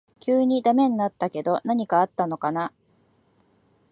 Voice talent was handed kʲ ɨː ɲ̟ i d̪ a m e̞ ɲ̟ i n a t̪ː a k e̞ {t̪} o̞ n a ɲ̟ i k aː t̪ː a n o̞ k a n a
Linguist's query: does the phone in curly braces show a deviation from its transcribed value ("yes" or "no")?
yes